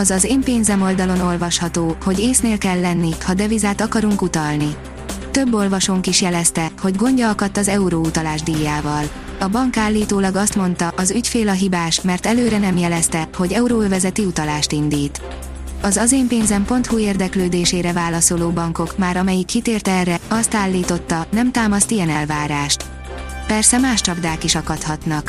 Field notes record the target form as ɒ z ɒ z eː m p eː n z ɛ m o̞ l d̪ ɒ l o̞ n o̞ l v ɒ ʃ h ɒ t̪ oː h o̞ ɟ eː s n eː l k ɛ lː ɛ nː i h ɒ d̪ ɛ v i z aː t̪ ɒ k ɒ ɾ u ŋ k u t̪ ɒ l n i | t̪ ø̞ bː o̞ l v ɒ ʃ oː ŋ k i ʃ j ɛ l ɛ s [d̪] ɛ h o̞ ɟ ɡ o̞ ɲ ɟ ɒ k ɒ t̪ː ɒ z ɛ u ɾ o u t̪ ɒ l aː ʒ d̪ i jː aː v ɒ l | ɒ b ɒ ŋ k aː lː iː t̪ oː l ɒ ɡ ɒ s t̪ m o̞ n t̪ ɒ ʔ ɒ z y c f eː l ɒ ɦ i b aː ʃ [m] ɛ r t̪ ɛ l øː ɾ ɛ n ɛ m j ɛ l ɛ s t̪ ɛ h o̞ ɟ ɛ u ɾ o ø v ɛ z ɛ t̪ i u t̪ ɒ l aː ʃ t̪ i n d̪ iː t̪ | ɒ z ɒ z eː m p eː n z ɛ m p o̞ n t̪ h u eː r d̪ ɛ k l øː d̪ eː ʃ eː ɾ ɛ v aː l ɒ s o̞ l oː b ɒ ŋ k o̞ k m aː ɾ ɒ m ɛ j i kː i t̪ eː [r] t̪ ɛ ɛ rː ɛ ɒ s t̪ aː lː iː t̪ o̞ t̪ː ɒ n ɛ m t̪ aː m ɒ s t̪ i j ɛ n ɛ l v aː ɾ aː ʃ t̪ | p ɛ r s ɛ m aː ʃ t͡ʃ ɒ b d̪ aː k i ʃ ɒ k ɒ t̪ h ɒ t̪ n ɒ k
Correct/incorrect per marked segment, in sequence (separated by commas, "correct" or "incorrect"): incorrect, correct, correct